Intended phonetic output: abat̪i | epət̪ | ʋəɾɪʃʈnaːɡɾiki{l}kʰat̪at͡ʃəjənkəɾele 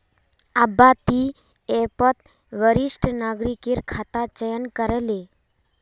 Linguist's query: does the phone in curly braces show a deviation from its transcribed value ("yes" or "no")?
yes